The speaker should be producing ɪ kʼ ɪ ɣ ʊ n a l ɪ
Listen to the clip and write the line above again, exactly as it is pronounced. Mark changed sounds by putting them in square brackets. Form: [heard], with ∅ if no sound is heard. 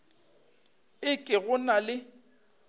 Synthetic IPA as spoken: ɪ kʼ ɪ ɣ ʊ n a l ɪ